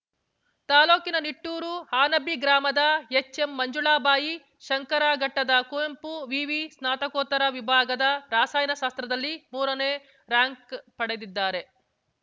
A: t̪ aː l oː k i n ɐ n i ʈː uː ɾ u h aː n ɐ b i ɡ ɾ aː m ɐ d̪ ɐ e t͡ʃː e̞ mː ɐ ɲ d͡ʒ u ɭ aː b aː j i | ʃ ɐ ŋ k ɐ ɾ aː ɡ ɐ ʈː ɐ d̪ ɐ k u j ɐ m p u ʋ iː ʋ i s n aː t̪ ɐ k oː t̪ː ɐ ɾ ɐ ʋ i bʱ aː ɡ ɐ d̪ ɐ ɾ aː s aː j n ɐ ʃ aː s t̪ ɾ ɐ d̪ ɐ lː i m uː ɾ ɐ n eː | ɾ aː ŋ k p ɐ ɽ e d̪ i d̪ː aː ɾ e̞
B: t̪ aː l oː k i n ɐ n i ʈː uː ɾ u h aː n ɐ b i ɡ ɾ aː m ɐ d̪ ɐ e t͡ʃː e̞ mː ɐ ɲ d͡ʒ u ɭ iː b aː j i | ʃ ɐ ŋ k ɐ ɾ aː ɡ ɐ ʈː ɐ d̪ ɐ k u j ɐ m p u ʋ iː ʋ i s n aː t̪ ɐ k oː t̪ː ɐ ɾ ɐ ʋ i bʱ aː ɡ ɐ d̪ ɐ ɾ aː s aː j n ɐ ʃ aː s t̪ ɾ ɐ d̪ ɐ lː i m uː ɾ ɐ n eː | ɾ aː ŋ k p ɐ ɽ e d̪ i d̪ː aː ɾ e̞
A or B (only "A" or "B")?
A